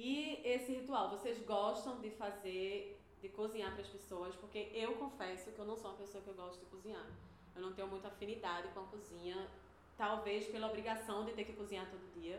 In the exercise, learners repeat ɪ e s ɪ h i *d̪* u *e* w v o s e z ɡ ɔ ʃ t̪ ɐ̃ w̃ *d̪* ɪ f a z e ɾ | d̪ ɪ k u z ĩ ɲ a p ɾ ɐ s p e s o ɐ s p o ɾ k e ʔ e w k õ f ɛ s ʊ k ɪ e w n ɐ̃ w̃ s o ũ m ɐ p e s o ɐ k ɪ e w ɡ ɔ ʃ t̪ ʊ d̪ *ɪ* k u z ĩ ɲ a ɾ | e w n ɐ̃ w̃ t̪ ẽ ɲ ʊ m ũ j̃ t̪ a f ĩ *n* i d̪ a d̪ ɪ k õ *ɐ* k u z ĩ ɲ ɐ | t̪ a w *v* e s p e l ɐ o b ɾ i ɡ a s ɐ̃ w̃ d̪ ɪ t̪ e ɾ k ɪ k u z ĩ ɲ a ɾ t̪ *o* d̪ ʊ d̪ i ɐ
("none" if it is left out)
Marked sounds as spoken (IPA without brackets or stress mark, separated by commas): t̪, a, d̪, ɪ, n, ɐ, v, o